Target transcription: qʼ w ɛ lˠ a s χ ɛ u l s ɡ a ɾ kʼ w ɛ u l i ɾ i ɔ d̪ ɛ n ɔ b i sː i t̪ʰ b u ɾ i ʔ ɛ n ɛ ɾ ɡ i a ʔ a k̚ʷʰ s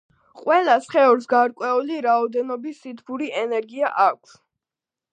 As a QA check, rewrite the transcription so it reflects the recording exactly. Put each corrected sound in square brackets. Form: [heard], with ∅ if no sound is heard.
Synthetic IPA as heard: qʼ w ɛ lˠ a s χ ɛ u [ɾ] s ɡ a ɾ kʼ w ɛ u l i ɾ [a] ɔ d̪ ɛ n ɔ b i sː i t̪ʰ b u ɾ i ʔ ɛ n ɛ ɾ ɡ i a ʔ a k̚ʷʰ s